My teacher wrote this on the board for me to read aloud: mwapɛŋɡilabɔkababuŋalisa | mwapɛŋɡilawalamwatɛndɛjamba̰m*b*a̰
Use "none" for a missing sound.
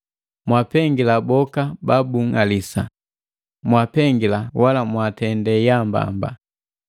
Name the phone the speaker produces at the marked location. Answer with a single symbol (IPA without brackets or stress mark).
b